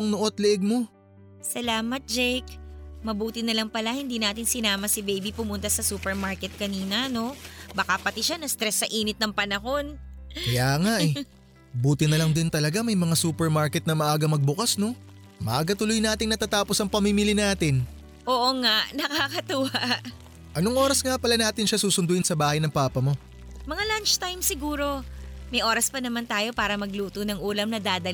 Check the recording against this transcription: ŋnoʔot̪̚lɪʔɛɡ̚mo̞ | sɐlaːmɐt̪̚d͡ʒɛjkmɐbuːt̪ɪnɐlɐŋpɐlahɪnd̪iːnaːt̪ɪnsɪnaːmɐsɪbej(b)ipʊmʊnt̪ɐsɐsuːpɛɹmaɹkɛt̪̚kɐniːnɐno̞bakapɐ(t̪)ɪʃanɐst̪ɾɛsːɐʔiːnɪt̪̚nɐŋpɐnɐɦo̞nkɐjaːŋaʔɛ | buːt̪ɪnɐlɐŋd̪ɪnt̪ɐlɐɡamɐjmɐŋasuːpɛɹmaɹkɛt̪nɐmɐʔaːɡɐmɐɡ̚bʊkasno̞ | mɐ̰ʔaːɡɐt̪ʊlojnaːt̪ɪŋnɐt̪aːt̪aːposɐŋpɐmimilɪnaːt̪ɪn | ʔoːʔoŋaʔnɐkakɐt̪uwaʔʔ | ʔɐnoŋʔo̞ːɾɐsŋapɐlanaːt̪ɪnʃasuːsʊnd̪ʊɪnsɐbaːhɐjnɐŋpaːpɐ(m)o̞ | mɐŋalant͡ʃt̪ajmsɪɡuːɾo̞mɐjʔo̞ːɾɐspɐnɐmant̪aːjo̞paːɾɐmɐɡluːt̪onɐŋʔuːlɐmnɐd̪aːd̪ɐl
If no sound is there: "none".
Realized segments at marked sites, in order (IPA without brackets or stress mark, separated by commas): b, t̪, m